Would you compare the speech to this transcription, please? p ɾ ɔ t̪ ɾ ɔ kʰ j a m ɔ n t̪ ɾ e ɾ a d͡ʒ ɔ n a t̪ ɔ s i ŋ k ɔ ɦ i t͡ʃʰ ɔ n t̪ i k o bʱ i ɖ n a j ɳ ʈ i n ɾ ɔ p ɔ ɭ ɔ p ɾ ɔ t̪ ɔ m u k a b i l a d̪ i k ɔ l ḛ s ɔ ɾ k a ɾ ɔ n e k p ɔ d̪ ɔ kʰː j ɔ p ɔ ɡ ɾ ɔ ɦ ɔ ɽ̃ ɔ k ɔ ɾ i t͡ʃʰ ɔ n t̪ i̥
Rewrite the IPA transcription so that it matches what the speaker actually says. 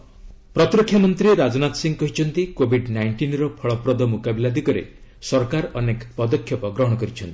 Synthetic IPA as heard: p ɾ ɔ t̪ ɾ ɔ kʰ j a m ɔ n t̪ ɾ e ɾ a d͡ʒ ɔ n a t̪ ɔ s i ŋ k ɔ ɦ i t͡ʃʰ ɔ n t̪ i k o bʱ i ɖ n a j ɳ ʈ i n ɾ ɔ pʰ ɔ ɭ ɔ p ɾ ɔ d̪ ɔ m u k a b i l a d̪ i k ɔ ɾ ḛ s ɔ ɾ k a ɾ ɔ n e k p ɔ d̪ ɔ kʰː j ɔ p ɔ ɡ ɾ ɔ ɦ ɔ ɽ̃ ɔ k ɔ ɾ i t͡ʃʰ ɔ n t̪ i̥